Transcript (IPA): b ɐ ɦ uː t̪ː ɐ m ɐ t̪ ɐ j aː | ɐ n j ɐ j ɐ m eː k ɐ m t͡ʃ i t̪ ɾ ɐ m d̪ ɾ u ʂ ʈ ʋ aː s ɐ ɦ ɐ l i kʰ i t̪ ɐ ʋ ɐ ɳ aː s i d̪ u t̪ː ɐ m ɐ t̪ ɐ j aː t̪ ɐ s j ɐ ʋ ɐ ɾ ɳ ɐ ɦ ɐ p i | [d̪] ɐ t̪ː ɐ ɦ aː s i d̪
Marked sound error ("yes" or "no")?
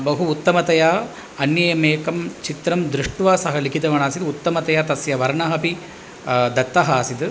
no